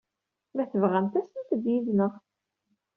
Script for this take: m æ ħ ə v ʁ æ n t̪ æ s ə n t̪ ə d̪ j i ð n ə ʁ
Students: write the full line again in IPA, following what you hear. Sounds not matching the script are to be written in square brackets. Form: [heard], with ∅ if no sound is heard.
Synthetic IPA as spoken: m æ [θ] ə v ʁ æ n t̪ æ s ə n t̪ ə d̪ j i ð n ə ʁ